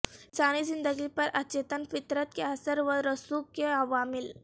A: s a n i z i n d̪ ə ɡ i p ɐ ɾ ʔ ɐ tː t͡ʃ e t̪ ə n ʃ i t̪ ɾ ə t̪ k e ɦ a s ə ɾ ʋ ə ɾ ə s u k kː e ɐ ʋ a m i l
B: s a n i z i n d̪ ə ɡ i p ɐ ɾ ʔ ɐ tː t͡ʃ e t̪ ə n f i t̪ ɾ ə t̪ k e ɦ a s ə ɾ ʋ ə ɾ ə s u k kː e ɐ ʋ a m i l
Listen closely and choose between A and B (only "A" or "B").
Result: B